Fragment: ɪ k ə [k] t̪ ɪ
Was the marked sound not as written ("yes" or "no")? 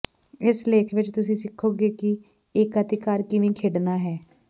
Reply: yes